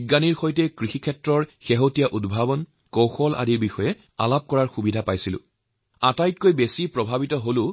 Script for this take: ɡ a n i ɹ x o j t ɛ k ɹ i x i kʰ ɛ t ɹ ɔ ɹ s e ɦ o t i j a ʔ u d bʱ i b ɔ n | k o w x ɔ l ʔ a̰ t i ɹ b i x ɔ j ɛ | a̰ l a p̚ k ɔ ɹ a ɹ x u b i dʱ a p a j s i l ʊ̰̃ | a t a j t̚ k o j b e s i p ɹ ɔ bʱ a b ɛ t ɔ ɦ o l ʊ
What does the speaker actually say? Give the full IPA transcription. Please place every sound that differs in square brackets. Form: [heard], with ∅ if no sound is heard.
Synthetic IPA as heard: ɡ a n i ɹ x o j t ɛ k ɹ i x i kʰ ɛ t ɹ ɔ ɹ [x] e ɦ o t i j a ʔ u d bʱ [a] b ɔ n | k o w x ɔ l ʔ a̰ [d] i ɹ b i x ɔ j ɛ | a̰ l a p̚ k ɔ ɹ a ɹ x u b i dʱ a p a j s i l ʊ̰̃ | a t a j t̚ k o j b e s i p ɹ ɔ bʱ a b [i] t ɔ ɦ o l ʊ